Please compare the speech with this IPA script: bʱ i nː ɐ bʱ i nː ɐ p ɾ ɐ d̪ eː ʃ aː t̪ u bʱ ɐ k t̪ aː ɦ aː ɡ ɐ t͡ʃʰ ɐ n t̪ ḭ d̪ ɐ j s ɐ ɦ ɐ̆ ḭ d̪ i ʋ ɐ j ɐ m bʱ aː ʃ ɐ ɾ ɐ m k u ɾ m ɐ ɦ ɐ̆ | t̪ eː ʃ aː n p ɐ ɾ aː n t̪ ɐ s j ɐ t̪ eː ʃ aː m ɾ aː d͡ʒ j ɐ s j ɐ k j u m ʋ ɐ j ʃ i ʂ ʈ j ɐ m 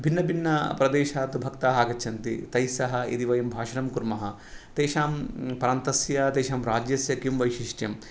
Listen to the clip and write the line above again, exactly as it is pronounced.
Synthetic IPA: bʱ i nː ɐ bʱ i nː ɐ p ɾ ɐ d̪ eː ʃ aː t̪ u bʱ ɐ k t̪ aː ɦ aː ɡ ɐ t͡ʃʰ ɐ n t̪ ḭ t̪ ɐ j s ɐ ɦ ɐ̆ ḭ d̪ i ʋ ɐ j ɐ m bʱ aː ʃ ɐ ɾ ɐ m k u ɾ m ɐ ɦ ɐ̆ | t̪ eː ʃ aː m p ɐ ɾ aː n t̪ ɐ s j ɐ t̪ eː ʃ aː m ɾ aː d͡ʒ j ɐ s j ɐ k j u m ʋ ɐ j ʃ i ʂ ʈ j ɐ m

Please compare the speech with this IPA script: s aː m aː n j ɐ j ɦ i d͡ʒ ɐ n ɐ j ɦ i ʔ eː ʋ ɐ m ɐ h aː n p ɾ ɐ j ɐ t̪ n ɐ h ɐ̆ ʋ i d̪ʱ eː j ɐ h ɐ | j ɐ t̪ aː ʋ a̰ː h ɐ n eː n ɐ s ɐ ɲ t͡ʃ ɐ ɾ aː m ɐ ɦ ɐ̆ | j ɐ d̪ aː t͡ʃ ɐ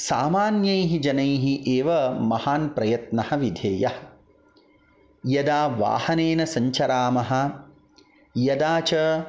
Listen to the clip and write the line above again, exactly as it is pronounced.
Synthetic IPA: s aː m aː n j ɐ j ɦ i d͡ʒ ɐ n ɐ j ɦ i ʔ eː ʋ ɐ m ɐ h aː n p ɾ ɐ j ɐ t̪ n ɐ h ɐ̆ ʋ i d̪ʱ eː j ɐ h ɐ | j ɐ d̪ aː ʋ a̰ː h ɐ n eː n ɐ s ɐ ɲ t͡ʃ ɐ ɾ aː m ɐ ɦ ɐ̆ | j ɐ d̪ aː t͡ʃ ɐ

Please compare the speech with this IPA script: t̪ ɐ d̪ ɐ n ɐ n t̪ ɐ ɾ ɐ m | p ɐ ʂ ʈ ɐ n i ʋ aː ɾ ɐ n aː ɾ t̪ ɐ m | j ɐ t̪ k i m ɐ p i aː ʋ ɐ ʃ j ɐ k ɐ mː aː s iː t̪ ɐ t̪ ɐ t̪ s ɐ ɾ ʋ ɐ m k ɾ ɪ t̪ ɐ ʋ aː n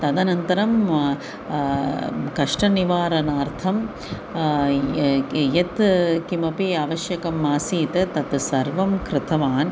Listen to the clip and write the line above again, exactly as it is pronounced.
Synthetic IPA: t̪ ɐ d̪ ɐ n ɐ n t̪ ɐ ɾ ɐ m | k ɐ ʂ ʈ ɐ n i ʋ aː ɾ ɐ n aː ɾ t̪ʰ ɐ m | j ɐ t̪ k i m ɐ p i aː ʋ ɐ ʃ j ɐ k ɐ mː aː s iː t̪ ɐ t̪ ɐ t̪ s ɐ ɾ ʋ ɐ m k ɾ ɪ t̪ ɐ ʋ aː n

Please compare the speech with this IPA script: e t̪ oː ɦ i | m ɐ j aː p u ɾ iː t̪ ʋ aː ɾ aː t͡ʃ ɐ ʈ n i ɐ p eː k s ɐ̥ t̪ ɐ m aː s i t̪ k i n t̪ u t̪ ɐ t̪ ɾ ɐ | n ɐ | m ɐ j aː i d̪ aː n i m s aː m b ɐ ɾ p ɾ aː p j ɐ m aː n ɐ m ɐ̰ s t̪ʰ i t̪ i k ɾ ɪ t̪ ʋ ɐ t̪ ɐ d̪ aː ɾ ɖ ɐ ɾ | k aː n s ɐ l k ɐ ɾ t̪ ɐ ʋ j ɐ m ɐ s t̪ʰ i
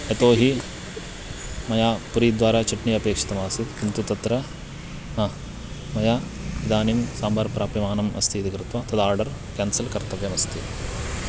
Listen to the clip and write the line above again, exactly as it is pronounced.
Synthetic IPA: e t̪ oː ɦ i | m ɐ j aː p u ɾ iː d̪ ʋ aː ɾ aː t͡ʃ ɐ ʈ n i ɐ p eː k ʂ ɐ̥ t̪ ɐ m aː s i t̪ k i n t̪ u t̪ ɐ t̪ ɾ ɐ | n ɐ | m ɐ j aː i d̪ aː n i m s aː m b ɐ ɾ p ɾ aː p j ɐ m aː n ɐ m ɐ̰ s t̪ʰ i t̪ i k ɾ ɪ t̪ ʋ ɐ t̪ ɐ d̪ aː ɾ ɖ ɐ ɾ | k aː n s ɐ l k ɐ ɾ t̪ ɐ ʋ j ɐ m ɐ s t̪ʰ i

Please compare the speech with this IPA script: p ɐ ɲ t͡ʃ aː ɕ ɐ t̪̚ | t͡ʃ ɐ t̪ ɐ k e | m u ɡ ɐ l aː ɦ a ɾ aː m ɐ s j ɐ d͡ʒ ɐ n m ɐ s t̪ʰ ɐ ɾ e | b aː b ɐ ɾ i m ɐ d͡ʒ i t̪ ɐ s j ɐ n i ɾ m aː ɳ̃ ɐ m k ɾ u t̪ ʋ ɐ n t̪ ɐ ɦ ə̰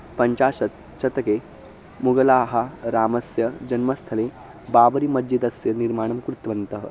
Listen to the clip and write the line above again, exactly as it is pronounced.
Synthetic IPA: p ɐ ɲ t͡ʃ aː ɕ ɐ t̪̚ | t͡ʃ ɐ t̪ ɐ k e | m u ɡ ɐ l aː ɦ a ɾ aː m ɐ s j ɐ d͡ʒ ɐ n m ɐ s t̪ʰ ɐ l e | b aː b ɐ ɾ i m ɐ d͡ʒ i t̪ ɐ s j ɐ n i ɾ m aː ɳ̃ ɐ m k ɾ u t̪ ʋ ɐ n t̪ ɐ ɦ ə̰

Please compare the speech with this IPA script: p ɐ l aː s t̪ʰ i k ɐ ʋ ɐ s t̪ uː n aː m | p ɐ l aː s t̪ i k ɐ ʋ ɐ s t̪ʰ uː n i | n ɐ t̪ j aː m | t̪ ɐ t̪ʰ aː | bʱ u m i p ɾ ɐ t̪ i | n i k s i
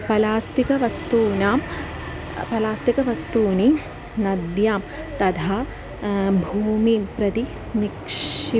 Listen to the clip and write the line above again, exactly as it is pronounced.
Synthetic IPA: p ɐ l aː s t̪ i k ɐ ʋ ɐ s t̪ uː n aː m | p ɐ l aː s t̪ i k ɐ ʋ ɐ s t̪ uː n i | n ɐ d̪ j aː m | t̪ ɐ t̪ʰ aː | bʱ uː m i p ɾ ɐ t̪ i | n i k ʂ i

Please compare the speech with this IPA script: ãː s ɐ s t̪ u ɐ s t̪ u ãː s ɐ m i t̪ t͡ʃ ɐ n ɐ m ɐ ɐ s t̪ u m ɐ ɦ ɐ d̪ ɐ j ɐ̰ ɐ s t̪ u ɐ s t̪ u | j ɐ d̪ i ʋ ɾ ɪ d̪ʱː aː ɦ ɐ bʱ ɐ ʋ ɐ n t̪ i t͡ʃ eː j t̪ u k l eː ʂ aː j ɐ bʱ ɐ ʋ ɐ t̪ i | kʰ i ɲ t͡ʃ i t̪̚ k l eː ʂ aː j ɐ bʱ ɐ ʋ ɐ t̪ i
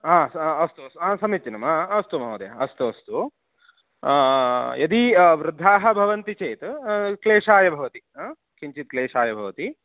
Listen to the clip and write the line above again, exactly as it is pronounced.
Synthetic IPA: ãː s ɐ s t̪ u ɐ s t̪ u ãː s ɐ m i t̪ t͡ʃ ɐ n ɐ m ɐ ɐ s t̪ u m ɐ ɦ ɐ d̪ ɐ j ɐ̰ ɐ s t̪ u ɐ s t̪ u | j ɐ d̪ i ʋ ɾ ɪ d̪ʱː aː ɦ ɐ bʱ ɐ ʋ ɐ n t̪ i t͡ʃ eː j t̪ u k l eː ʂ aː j ɐ bʱ ɐ ʋ ɐ t̪ i | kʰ i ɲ t͡ʃ i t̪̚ k l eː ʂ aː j ɐ bʱ ɐ ʋ ɐ t̪ i

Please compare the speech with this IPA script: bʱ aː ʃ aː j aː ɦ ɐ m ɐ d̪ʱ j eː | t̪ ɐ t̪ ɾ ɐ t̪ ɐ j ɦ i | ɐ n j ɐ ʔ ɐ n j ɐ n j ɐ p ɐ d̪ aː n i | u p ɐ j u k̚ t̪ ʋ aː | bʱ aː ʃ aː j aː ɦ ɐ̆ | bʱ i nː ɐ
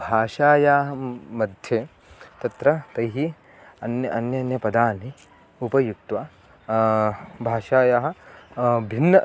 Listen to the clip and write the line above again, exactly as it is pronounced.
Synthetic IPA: bʱ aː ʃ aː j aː ɦ ɐ m ɐ d̪ʱ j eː | t̪ ɐ t̪ ɾ ɐ t̪ ɐ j ɦ i | ɐ n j ɐ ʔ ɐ n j ɐ n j ɐ p ɐ d̪ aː n i | u p ɐ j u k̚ t̪ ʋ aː | bʱ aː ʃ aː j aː ɦ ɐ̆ | bʱ i nː ɐ

